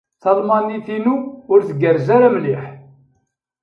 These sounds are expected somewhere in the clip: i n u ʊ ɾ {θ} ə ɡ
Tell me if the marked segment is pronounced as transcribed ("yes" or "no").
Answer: yes